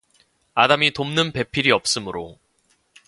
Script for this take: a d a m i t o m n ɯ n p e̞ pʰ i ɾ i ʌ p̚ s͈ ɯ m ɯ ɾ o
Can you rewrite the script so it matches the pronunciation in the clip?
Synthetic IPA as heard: a d a m i t o m n ɯ n p e̞ pʰ i ɾ i ʌ p̚ s͈ ɯ m ɯ ɾ o